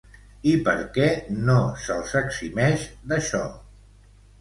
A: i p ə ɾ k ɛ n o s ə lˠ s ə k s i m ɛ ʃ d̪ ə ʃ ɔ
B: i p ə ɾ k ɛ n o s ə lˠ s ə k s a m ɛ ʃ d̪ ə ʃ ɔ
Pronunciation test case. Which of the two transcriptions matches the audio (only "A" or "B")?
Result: A